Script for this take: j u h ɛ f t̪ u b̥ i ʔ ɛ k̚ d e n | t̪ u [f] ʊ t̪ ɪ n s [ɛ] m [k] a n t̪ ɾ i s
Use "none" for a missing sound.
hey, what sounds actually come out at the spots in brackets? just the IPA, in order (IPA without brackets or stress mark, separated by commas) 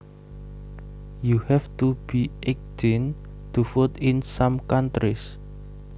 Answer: f, a, k